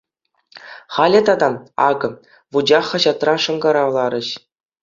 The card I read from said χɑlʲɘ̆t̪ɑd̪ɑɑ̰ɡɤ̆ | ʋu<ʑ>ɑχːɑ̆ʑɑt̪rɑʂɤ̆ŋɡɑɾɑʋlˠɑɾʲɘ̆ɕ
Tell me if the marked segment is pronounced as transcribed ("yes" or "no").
no